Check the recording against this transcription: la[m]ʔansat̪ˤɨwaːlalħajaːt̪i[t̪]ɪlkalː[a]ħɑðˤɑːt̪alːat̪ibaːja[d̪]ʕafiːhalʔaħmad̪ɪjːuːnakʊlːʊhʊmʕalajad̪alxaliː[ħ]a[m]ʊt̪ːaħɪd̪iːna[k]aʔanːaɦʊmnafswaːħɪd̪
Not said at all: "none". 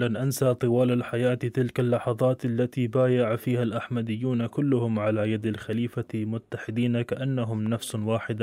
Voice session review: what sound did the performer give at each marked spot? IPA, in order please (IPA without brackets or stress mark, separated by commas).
n, t̪, ɑ, none, f, m, k